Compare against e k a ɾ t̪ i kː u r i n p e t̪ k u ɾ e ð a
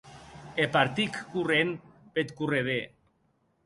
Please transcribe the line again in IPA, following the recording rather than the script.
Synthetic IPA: e p a ɾ t̪ i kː u r e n p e t̪ k u r e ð e

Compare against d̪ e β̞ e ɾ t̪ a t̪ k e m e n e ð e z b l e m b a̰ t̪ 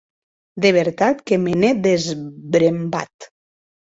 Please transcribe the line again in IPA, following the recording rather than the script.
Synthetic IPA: d̪ e β̞ e ɾ t̪ a t̪ k e m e n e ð e z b ɾ e m b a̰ t̪

